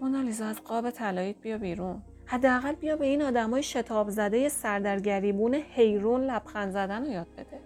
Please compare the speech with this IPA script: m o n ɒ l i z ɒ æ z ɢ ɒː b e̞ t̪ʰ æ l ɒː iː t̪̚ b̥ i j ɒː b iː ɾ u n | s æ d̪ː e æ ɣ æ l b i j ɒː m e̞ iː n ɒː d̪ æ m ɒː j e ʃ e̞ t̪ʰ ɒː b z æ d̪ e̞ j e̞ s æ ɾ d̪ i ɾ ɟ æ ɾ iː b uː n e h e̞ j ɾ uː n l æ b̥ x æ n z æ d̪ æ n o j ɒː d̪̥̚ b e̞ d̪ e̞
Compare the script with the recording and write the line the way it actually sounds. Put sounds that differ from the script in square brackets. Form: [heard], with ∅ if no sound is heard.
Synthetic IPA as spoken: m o n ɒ l i z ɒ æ z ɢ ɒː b e̞ t̪ʰ æ l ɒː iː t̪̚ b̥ i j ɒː b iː ɾ u n | [h] æ d̪ː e æ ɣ æ l b i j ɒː [b] e̞ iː n ɒː d̪ æ m ɒː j e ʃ e̞ t̪ʰ ɒː b z æ d̪ e̞ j e̞ s æ ɾ d̪ [æ] ɾ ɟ æ ɾ iː b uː n e h e̞ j ɾ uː n l æ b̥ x æ n z æ d̪ æ n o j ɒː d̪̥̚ b e̞ d̪ e̞